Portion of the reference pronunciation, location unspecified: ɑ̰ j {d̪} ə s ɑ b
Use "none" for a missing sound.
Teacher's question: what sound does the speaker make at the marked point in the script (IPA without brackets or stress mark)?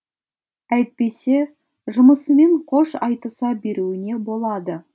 t̪